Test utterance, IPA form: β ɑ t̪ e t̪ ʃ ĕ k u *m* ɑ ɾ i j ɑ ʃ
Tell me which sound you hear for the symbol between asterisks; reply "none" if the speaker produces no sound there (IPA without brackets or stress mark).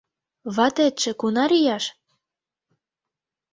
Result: n